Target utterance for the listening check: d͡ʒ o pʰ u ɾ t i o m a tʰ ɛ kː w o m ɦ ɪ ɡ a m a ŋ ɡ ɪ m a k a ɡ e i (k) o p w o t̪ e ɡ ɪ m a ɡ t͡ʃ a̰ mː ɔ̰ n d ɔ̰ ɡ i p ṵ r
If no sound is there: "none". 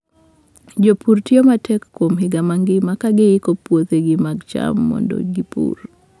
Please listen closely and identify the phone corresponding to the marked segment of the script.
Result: k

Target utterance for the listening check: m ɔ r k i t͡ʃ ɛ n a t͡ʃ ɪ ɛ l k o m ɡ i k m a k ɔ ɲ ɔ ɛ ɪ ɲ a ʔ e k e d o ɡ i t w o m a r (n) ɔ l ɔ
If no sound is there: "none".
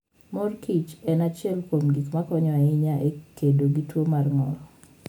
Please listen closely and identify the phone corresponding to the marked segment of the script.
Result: ŋ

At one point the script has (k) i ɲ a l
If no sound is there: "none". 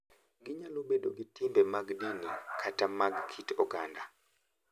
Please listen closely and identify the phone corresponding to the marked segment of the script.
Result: ɡ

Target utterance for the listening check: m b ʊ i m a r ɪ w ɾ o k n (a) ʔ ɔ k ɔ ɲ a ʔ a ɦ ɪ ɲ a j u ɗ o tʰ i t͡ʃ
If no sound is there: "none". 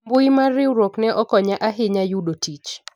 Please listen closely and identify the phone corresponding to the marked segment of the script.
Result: ɛ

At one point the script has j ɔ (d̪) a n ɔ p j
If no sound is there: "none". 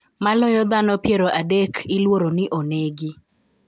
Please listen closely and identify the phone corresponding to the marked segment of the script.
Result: d̪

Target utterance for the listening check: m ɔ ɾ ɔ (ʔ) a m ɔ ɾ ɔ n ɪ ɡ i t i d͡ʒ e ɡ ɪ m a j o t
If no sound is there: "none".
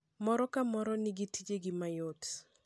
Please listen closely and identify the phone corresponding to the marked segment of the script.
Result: k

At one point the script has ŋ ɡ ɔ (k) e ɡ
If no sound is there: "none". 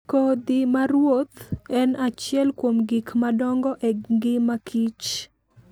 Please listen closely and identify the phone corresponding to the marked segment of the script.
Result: ʔ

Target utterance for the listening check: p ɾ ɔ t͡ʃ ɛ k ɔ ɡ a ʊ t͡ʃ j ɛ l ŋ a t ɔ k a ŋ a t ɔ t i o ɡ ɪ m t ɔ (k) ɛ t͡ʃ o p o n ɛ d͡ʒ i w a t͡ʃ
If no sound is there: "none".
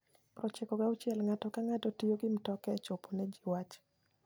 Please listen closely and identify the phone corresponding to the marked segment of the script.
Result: k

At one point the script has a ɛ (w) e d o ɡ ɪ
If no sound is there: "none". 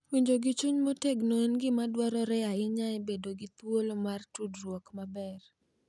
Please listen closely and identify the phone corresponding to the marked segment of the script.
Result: b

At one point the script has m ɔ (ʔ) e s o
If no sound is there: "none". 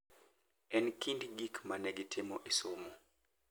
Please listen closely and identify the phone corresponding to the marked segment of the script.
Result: ʔ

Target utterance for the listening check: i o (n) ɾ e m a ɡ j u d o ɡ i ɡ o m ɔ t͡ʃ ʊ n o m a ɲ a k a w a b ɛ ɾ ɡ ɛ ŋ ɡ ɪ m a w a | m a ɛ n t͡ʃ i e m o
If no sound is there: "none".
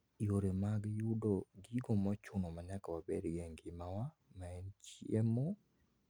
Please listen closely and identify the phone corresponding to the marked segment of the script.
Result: none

